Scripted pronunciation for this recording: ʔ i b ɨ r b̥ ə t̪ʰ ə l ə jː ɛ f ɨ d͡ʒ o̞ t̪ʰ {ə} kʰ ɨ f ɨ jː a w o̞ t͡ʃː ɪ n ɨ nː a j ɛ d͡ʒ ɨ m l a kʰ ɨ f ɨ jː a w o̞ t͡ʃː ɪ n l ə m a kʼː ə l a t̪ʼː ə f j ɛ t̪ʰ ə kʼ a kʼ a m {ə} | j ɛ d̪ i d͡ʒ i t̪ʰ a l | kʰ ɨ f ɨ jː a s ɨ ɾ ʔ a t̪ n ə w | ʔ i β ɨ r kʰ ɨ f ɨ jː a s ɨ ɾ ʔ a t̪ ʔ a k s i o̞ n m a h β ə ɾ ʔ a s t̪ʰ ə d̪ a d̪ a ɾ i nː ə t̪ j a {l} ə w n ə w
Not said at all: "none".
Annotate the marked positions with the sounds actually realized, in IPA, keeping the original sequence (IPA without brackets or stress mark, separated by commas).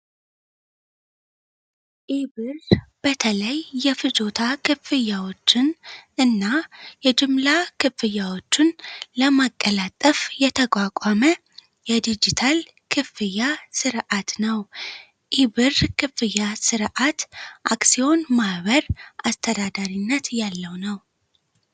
a, ə, lː